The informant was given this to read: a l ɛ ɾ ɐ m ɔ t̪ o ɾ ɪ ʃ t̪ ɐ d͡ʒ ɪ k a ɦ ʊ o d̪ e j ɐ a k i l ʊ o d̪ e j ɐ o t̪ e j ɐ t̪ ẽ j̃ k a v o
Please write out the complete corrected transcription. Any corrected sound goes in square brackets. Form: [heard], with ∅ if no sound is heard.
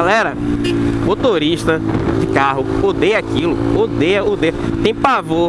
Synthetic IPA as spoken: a l ɛ ɾ ɐ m [o] t̪ o ɾ [i] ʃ t̪ ɐ d͡ʒ ɪ k a ɦ ʊ o d̪ e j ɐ a k i l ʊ o d̪ e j ɐ o [d̪] e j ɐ t̪ ẽ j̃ [p] a v o